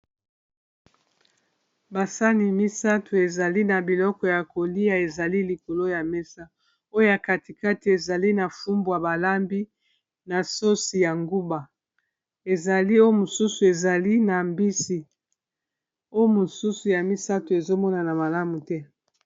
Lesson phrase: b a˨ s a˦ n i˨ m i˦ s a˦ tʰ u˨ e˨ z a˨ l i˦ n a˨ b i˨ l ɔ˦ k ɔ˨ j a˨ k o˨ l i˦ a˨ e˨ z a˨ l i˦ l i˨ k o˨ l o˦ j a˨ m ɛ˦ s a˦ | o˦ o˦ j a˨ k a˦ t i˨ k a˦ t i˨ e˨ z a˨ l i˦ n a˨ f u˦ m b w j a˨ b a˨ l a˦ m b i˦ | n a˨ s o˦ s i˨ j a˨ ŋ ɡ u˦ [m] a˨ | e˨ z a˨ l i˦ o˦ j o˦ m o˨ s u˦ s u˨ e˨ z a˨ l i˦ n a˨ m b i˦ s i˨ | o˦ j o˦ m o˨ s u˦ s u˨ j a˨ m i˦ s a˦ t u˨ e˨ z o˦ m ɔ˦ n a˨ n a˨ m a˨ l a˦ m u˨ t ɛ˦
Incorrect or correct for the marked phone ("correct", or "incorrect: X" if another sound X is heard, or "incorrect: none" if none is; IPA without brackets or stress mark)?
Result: incorrect: b